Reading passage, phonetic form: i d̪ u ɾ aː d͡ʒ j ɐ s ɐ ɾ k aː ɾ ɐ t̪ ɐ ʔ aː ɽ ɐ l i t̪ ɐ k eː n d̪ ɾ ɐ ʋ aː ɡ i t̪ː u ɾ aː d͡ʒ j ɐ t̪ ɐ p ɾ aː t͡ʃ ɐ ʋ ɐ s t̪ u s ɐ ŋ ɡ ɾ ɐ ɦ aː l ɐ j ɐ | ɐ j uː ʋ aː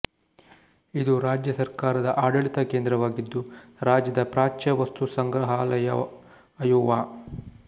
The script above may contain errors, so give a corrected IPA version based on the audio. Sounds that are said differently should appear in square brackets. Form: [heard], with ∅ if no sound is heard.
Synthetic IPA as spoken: i d̪ u ɾ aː d͡ʒ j ɐ s ɐ ɾ k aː ɾ ɐ [d̪] ɐ ʔ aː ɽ ɐ [ɭ] i t̪ ɐ k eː n d̪ ɾ ɐ ʋ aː ɡ i [d̪ː] u ɾ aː d͡ʒ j ɐ [d̪] ɐ p ɾ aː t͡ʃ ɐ ʋ ɐ s t̪ u s ɐ ŋ ɡ ɾ ɐ ɦ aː l ɐ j ɐ | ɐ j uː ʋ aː

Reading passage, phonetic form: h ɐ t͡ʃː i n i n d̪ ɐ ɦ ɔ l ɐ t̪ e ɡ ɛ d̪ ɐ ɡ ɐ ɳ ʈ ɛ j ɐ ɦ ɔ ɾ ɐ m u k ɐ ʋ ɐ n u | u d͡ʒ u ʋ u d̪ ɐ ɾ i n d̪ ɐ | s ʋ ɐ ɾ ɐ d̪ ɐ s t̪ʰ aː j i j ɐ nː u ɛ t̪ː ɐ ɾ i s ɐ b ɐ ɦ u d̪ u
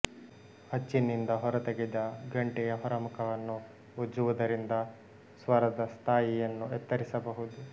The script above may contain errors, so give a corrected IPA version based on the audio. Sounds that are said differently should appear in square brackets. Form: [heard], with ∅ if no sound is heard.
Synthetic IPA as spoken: h ɐ t͡ʃː i n i n d̪ ɐ ɦ ɔ [ɾ] ɐ t̪ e ɡ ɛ d̪ ɐ ɡ ɐ ɳ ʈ ɛ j ɐ ɦ ɔ ɾ ɐ m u k ɐ ʋ ɐ [nː] u | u d͡ʒ u ʋ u d̪ ɐ ɾ i n d̪ ɐ | s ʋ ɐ ɾ ɐ d̪ ɐ s t̪ʰ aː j i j ɐ nː u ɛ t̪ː ɐ ɾ i s ɐ b ɐ ɦ u d̪ u

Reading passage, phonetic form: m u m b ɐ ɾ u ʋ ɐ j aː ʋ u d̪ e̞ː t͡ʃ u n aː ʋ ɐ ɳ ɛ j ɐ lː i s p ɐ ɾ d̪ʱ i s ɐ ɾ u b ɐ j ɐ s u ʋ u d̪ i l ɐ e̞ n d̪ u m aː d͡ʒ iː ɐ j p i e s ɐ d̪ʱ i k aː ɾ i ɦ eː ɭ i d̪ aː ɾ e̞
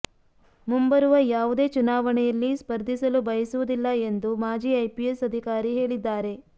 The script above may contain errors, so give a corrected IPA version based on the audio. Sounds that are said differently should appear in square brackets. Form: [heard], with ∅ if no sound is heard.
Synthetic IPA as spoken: m u m b ɐ ɾ u ʋ ɐ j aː ʋ u d̪ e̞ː t͡ʃ u n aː ʋ ɐ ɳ ɛ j ɐ lː i s p ɐ ɾ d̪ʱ i s ɐ [l] u b ɐ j ɐ s u ʋ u d̪ i [lː] ɐ e̞ n d̪ u m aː d͡ʒ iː ɐ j p i e s ɐ d̪ʱ i k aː ɾ i ɦ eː ɭ i [d̪ː] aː ɾ e̞

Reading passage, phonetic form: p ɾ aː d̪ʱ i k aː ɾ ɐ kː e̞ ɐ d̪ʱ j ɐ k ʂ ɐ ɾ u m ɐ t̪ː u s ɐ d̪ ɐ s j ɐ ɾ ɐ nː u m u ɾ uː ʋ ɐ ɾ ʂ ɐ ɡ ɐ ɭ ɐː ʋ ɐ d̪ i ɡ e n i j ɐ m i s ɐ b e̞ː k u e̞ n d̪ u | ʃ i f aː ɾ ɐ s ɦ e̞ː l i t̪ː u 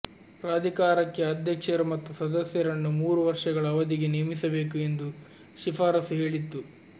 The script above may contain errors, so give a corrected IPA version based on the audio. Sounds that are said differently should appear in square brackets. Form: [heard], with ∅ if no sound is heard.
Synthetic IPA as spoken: p ɾ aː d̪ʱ i k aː ɾ ɐ kː e̞ ɐ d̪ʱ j ɐ k ʂ ɐ ɾ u m ɐ t̪ː u s ɐ d̪ ɐ s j ɐ ɾ ɐ nː u m [uː] ɾ [u] ʋ ɐ ɾ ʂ ɐ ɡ ɐ ɭ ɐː ʋ ɐ d̪ i ɡ e n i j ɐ m i s ɐ b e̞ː k u e̞ n d̪ u | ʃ i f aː ɾ ɐ s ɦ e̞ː [ɭ] i t̪ː u

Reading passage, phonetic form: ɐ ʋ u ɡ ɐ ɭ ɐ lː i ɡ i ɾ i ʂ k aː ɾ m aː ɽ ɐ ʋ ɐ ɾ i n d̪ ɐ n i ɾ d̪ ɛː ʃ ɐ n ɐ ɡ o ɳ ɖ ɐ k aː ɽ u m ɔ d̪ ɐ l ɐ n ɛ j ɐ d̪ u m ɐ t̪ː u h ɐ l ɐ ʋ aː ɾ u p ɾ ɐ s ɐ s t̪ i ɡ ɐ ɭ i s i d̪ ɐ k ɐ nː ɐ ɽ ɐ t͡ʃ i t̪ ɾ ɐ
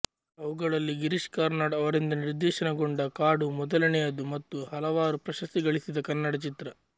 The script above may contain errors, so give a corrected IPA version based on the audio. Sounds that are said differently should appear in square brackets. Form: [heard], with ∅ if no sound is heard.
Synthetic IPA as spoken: ɐ ʋ u ɡ ɐ ɭ ɐ lː i ɡ i ɾ i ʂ k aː ɾ [n] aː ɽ ɐ ʋ ɐ ɾ i n d̪ ɐ n i ɾ d̪ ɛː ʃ ɐ n ɐ ɡ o ɳ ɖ ɐ k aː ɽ u m ɔ d̪ ɐ l ɐ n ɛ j ɐ d̪ u m ɐ t̪ː u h ɐ l ɐ ʋ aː ɾ u p ɾ ɐ [ʃ] ɐ s t̪ i ɡ ɐ ɭ i s i d̪ ɐ k ɐ nː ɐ ɽ ɐ t͡ʃ i t̪ ɾ ɐ

